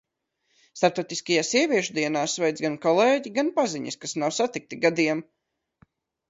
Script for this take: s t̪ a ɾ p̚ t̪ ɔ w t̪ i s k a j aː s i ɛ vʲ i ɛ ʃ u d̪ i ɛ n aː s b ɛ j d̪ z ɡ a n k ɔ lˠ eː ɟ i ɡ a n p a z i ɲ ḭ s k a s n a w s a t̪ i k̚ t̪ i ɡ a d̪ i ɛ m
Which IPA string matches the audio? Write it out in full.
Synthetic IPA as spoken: s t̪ a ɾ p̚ t̪ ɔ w t̪ i s k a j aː s i ɛ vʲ i ɛ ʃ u d̪ i ɛ n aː s v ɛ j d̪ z ɡ a n k ɔ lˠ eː ɟ i ɡ a n p a z i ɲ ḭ s k a s n a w s a t̪ i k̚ t̪ i ɡ a d̪ i ɛ m

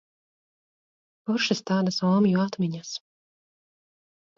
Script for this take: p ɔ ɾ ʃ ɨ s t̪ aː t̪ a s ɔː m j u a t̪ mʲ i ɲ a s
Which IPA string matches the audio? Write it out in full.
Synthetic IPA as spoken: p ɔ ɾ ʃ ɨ s t̪ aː d̪ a s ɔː m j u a t̪ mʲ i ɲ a s

